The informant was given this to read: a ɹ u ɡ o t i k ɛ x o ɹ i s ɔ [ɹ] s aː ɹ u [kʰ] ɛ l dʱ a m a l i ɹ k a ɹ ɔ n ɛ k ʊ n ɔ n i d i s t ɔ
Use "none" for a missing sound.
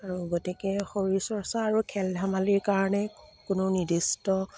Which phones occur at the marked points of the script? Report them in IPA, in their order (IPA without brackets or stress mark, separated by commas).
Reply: ɹ, kʰ